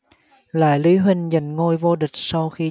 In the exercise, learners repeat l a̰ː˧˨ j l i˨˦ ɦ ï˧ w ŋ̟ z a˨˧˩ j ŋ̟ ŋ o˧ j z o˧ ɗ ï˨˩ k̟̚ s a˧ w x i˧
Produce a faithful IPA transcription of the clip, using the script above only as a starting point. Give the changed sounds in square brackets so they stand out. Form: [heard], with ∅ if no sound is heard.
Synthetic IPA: l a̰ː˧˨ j l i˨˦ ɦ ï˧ [∅] ŋ̟ z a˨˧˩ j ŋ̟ ŋ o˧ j [v] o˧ ɗ ï˨˩ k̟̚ s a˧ w x i˧